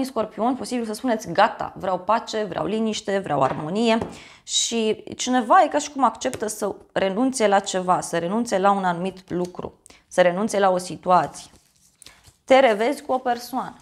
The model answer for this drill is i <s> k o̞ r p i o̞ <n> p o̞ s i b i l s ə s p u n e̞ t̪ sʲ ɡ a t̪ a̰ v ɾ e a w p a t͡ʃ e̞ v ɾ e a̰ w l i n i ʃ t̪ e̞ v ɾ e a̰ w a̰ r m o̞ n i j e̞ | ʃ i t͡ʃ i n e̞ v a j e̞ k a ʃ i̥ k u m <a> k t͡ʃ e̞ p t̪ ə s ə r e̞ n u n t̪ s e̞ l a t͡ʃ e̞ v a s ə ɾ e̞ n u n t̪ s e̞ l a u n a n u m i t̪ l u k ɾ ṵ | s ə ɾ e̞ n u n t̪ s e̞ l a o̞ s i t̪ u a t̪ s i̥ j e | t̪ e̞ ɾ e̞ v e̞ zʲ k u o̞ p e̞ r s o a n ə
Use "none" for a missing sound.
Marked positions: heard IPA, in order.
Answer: s, n, a

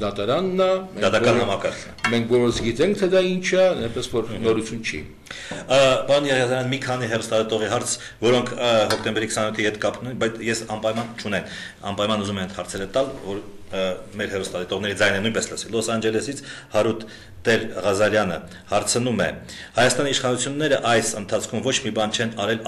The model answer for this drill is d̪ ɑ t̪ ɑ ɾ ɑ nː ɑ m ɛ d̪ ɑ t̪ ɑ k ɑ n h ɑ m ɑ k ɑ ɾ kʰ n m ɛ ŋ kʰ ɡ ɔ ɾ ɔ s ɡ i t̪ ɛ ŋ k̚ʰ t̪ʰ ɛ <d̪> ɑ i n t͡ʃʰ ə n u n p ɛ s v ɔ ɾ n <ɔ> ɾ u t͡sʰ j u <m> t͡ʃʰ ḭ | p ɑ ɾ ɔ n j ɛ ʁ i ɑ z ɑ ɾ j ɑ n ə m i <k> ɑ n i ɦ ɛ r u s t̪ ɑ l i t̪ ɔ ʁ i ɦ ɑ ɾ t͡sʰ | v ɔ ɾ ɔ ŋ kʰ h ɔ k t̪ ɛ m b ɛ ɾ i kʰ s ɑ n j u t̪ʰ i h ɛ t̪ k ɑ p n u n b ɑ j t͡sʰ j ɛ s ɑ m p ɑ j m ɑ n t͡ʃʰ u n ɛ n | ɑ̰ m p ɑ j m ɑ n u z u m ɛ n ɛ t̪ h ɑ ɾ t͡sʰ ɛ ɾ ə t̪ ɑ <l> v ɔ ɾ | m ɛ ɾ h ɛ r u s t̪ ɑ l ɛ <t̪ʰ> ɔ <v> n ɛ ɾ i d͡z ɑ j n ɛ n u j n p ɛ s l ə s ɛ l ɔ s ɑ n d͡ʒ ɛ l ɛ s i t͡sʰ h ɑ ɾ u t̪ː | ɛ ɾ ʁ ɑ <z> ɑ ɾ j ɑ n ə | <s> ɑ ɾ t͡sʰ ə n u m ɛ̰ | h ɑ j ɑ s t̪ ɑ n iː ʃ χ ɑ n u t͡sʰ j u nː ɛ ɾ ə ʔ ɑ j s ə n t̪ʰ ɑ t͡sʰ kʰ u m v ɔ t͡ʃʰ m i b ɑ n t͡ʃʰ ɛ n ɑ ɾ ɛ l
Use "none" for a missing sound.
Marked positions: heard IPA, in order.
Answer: d̪, ɔ, n, kʰ, l, t̪, ʁ, z, h

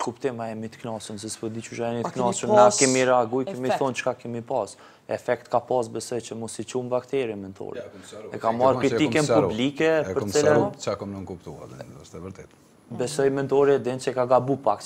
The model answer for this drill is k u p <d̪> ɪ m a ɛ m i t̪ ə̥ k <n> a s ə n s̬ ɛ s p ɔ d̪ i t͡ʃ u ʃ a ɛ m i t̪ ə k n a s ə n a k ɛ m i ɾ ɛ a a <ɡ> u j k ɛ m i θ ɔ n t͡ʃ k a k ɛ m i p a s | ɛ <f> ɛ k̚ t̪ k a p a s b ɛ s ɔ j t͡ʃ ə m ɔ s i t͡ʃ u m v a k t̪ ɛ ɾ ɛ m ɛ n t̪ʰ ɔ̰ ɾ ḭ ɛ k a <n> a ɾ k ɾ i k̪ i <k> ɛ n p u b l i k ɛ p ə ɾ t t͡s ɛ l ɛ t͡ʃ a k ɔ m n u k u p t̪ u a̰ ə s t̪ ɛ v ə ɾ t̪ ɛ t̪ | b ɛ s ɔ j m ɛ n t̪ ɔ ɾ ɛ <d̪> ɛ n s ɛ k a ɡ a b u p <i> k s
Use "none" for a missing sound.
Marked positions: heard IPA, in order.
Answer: t̪, n, ɡ, f, m, k, d̪, a

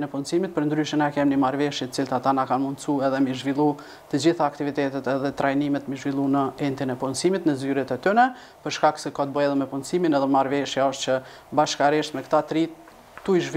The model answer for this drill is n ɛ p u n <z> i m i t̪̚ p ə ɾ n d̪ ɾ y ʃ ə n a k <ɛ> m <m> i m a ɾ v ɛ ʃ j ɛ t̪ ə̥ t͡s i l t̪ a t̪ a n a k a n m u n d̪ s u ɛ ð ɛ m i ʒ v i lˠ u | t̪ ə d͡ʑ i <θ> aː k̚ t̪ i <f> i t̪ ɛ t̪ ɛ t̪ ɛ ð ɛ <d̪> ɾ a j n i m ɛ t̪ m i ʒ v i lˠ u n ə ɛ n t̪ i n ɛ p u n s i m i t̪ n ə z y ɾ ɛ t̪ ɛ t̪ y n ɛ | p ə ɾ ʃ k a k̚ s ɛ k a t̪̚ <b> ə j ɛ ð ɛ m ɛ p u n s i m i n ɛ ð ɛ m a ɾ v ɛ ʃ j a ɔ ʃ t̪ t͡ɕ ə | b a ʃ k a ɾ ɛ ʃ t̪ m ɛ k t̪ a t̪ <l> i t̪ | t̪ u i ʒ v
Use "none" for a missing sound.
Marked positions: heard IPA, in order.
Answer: s, ɛ, n, θ, v, t̪, b, ɾ

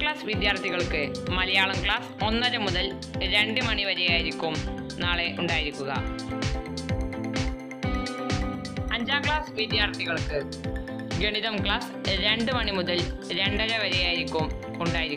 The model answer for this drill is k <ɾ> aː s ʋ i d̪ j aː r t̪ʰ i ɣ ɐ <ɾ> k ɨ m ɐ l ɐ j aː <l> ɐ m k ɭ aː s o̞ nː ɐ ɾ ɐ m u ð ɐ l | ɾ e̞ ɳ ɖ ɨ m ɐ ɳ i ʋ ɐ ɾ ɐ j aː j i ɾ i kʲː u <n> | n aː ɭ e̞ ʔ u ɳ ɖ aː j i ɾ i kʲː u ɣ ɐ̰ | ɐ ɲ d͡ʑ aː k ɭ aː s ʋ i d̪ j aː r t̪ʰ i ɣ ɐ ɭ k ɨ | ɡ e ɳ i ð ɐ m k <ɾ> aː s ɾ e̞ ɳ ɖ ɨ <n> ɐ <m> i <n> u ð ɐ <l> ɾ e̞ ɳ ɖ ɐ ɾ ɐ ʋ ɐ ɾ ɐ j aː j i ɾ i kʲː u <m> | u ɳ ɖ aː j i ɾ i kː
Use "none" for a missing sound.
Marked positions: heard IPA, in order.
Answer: ɭ, ɭ, ɭ, m, ɭ, m, ɳ, m, l, m

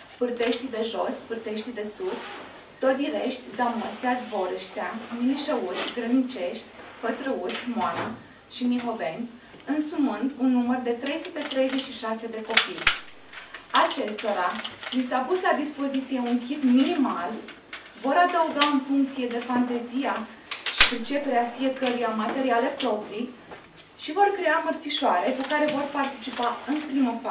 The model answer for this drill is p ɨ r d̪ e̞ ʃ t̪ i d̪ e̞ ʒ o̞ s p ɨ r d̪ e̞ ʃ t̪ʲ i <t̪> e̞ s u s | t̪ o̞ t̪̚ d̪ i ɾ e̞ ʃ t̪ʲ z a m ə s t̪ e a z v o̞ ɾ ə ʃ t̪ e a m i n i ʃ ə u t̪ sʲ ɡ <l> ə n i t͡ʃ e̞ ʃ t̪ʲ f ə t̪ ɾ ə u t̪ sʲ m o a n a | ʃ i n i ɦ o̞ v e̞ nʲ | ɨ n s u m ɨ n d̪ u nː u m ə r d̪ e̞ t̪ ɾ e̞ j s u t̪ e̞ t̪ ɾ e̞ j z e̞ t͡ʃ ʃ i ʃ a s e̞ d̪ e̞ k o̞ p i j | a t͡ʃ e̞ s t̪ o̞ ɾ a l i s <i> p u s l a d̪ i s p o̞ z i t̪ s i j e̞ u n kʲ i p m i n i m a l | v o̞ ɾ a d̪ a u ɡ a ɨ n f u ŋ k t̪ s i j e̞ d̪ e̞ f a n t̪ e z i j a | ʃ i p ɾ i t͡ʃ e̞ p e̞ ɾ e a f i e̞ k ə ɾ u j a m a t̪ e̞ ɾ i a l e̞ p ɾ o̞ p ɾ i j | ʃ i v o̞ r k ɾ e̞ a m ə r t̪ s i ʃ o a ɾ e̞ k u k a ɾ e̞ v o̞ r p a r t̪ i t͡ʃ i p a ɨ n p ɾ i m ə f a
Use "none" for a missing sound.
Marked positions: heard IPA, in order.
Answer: d̪, ɾ, a

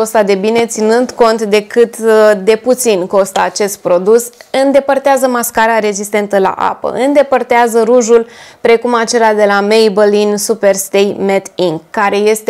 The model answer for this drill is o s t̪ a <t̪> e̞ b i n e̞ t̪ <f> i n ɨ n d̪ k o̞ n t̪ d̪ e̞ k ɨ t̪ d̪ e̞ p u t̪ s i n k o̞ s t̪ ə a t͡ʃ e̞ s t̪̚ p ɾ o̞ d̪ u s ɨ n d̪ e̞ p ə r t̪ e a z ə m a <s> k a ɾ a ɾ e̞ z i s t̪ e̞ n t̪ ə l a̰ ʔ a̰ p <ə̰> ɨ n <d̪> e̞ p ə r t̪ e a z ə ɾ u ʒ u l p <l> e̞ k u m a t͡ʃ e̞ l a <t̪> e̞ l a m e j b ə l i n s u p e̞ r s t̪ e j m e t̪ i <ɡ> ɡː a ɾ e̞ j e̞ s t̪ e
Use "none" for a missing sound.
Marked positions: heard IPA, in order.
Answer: d̪, s, s, ə̰, d̪, ɾ, d̪, ŋ

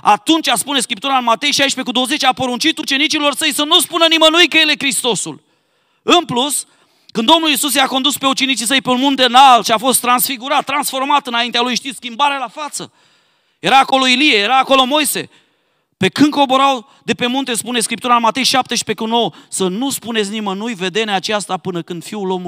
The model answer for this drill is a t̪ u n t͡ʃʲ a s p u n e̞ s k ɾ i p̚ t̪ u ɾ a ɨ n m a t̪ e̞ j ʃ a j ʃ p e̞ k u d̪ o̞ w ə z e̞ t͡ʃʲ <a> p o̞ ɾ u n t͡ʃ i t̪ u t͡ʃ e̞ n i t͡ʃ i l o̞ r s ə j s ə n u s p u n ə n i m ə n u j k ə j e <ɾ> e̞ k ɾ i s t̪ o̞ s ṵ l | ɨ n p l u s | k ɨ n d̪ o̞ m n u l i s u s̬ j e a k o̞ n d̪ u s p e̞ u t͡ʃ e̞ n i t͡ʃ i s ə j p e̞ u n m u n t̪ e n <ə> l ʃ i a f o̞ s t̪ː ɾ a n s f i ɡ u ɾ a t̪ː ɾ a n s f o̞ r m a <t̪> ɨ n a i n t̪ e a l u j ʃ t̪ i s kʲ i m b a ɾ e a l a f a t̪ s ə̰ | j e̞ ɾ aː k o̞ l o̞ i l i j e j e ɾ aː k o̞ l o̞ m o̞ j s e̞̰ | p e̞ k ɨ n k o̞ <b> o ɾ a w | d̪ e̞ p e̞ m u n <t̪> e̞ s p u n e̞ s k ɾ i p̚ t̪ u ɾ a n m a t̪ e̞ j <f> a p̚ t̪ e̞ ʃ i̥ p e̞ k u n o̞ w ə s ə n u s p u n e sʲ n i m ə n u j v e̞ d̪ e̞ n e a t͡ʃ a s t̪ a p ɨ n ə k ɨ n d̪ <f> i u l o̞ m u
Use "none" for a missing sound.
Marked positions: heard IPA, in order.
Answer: a, l, a, t̪, b, t̪, ʃ, f

